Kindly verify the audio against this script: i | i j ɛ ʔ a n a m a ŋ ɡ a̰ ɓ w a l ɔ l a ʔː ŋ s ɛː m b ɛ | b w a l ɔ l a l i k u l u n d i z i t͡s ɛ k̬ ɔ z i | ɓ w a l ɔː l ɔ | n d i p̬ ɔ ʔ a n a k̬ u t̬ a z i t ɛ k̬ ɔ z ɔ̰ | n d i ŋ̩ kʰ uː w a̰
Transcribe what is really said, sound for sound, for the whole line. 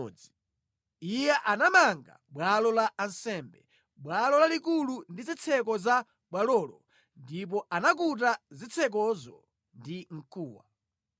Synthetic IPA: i | i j ɛ ʔ a n a m a ŋ ɡ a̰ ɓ w a l ɔ l a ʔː n s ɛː m b ɛ | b w a l ɔ l a l i k u l u n d i z i t͡sʰ ɛ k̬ ɔ z a | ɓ w a l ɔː l ɔ | n d i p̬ ɔ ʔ a n a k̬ u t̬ a z i t͡sʰ ɛ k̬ ɔ z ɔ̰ | n d i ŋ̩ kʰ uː w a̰